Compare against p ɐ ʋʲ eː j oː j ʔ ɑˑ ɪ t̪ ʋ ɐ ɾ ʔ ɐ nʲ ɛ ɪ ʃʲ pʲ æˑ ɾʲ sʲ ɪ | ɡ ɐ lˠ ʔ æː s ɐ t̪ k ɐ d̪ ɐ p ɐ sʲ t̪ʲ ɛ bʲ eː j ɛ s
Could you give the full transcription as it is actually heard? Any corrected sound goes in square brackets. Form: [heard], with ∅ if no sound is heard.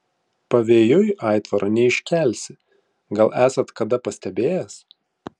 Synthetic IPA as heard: p ɐ ʋʲ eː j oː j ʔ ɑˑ ɪ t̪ ʋ ɐ ɾ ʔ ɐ nʲ ɛ ɪ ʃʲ [kʲ] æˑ [lʲ] sʲ ɪ | ɡ ɐ lˠ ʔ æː s ɐ t̪ k ɐ d̪ ɐ p ɐ sʲ t̪ʲ ɛ bʲ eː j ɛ s